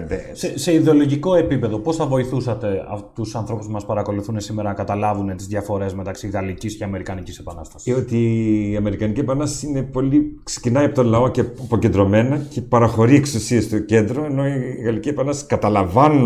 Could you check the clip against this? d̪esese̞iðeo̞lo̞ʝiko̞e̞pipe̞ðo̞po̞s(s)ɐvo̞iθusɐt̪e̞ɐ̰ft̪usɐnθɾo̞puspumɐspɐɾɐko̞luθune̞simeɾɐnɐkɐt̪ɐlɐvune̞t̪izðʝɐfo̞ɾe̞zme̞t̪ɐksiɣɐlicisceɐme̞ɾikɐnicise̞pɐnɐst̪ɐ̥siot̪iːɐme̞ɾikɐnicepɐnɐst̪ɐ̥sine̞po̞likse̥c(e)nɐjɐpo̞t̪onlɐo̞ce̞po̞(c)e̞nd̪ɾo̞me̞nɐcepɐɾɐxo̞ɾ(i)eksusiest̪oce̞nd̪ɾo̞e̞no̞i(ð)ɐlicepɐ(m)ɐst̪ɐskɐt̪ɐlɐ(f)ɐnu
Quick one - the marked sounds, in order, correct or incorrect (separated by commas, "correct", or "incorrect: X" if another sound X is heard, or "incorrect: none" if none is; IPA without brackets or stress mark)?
incorrect: θ, incorrect: i, correct, correct, incorrect: ɣ, incorrect: n, incorrect: v